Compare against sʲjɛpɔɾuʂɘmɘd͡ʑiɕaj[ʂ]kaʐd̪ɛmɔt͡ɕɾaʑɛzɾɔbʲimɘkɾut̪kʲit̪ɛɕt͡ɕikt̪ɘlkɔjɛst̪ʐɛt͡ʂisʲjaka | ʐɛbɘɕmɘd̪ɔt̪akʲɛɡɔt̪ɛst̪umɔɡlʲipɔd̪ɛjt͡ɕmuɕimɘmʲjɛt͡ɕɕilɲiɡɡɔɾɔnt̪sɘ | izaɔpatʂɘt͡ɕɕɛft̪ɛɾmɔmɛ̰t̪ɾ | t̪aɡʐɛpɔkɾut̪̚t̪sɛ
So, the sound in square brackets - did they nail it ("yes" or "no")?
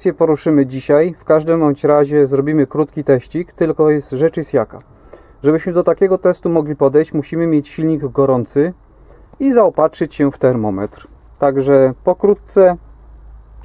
no